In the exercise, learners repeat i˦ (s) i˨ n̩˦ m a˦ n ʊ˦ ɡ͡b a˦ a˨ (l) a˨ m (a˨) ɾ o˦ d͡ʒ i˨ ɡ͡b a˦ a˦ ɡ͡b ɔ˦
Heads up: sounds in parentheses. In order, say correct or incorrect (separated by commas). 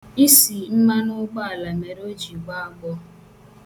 correct, correct, incorrect